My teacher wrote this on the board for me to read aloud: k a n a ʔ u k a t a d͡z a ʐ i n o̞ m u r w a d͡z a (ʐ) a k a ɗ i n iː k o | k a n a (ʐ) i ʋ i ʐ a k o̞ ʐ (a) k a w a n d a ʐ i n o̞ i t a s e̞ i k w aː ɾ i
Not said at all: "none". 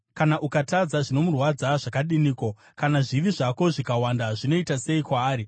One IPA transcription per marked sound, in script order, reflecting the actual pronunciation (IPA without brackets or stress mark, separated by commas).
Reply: ʐ, ʐ, i